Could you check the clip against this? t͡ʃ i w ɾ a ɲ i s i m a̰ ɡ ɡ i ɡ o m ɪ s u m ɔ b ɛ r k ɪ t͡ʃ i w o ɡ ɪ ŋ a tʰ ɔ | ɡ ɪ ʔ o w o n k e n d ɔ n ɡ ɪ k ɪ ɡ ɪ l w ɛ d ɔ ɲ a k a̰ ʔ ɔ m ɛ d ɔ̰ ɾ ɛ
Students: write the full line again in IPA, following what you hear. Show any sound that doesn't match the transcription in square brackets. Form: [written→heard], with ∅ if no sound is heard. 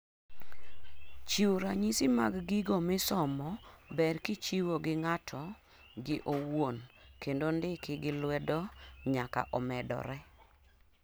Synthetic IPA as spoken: t͡ʃ i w ɾ a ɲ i s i m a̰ ɡ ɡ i ɡ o m ɪ s [u→ɔ] m ɔ b ɛ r k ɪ t͡ʃ i w o ɡ ɪ ŋ a tʰ ɔ | ɡ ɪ ʔ o w o n k e n d [ɔ→o] n [ɡ→d] ɪ k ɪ ɡ ɪ l w ɛ d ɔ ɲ a k a̰ ʔ ɔ m ɛ d ɔ̰ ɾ ɛ